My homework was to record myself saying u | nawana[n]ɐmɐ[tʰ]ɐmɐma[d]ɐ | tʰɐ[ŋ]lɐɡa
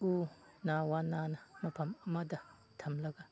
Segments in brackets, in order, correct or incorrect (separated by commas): correct, incorrect, correct, incorrect